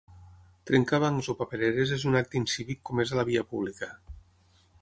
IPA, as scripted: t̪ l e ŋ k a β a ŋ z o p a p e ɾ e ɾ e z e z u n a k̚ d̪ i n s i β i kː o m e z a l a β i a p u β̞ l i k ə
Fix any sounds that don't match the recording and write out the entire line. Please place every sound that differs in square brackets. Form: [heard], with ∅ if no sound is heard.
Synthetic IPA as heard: t̪ [ɾ] e ŋ k a β a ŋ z o p a p e ɾ e ɾ e z e z u n a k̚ [t̪] i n s i β i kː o m e z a l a β i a p u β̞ l i k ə